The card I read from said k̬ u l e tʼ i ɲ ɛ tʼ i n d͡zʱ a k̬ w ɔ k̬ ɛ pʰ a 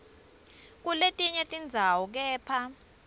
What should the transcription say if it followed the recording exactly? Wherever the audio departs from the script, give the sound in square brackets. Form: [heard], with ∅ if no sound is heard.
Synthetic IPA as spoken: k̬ u l e tʼ i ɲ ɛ tʼ i n d͡zʱ a [∅] w ɔ k̬ [ɛː] pʰ a